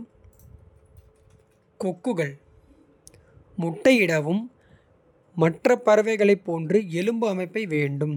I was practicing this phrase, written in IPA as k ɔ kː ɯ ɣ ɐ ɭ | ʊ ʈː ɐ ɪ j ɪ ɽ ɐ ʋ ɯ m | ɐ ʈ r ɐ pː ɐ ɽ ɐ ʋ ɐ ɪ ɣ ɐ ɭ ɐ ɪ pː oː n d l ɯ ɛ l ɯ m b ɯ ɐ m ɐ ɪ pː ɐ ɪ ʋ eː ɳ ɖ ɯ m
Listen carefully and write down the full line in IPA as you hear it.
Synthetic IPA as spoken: k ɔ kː ɯ ɣ ɐ ɭ | ʊ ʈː ɐ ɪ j ɪ ɽ ɐ ʋ ɯ m | ɐ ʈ r ɐ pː ɐ ɾ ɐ ʋ ɐ ɪ ɣ ɐ ɭ ɐ ɪ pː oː n d r ɯ ɛ l ɯ m b ɯ ɐ m ɐ ɪ pː ɐ ɪ ʋ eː ɳ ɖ ɯ m